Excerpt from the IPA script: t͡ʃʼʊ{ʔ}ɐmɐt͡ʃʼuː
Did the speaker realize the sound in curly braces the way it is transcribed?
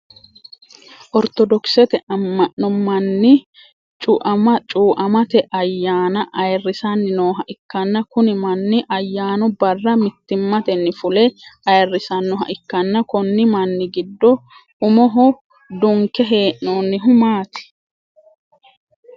yes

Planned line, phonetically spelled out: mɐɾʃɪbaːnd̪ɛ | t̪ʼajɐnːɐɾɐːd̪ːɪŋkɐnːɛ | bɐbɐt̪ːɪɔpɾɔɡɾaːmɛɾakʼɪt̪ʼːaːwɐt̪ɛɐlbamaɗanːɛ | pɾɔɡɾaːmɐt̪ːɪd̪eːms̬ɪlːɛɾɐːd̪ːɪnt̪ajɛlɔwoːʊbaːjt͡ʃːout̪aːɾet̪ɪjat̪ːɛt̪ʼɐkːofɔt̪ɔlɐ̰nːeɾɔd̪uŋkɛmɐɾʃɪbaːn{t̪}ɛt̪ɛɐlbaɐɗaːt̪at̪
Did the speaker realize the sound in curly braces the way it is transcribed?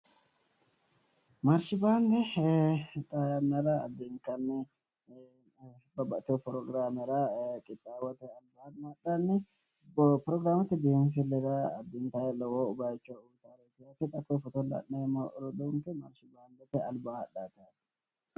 no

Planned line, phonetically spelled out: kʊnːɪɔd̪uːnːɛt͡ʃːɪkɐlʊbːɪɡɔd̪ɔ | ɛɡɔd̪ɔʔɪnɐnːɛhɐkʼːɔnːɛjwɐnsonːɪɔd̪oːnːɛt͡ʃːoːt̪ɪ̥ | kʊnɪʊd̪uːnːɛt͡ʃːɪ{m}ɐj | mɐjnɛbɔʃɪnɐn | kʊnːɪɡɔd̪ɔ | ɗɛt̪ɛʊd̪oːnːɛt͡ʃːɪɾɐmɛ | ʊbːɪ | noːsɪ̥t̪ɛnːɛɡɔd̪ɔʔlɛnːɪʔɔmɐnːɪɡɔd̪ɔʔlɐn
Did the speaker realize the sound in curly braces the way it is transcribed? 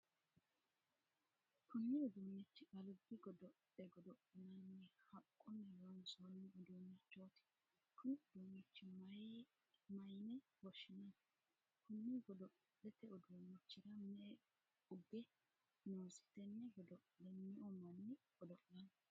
yes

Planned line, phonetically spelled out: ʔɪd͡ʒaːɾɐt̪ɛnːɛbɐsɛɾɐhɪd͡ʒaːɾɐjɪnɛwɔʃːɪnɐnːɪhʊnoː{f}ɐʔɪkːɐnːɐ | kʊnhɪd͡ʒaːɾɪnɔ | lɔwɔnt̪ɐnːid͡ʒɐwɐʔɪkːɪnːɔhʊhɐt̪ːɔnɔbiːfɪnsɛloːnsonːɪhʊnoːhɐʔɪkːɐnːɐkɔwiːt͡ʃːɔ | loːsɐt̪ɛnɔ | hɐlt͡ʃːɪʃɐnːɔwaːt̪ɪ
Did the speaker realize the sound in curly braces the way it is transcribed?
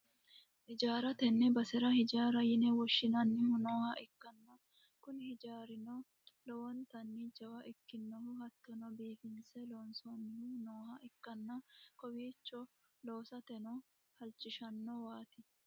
no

